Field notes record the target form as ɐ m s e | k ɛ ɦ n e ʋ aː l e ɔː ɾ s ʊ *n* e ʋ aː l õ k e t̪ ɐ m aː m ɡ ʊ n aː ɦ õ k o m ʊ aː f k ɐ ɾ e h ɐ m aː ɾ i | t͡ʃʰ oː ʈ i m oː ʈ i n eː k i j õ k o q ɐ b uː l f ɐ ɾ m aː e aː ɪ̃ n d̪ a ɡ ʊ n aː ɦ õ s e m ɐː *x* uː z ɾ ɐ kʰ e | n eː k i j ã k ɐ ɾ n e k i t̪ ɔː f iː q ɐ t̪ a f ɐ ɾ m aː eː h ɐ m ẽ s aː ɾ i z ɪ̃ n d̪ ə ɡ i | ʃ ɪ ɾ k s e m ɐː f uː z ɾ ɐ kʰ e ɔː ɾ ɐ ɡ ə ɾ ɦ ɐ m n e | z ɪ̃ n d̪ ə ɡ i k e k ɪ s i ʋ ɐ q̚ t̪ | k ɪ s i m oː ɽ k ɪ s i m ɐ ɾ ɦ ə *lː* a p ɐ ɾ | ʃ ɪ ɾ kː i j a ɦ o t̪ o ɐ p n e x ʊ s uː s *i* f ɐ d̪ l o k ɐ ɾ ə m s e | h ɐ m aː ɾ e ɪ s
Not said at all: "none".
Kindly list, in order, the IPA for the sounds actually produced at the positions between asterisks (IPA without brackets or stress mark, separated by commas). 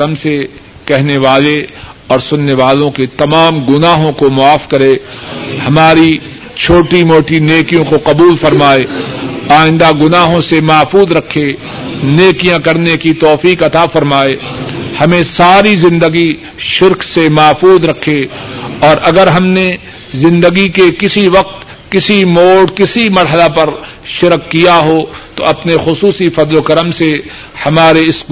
nː, f, l, i